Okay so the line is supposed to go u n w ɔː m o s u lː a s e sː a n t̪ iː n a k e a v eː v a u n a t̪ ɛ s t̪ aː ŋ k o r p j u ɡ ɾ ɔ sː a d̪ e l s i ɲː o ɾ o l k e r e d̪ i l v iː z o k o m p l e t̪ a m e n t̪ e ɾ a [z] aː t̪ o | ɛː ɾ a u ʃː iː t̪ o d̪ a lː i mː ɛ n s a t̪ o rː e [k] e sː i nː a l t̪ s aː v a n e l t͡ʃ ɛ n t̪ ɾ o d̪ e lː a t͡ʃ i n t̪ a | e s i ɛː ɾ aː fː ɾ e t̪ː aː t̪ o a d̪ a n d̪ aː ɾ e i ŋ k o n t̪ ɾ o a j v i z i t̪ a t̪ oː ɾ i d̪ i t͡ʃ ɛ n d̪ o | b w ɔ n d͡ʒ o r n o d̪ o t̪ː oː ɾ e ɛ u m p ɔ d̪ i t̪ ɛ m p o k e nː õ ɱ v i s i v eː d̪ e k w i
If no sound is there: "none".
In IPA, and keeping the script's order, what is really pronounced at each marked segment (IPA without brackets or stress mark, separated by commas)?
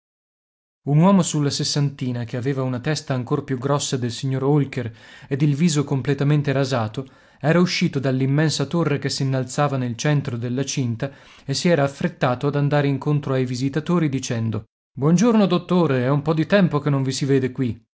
z, k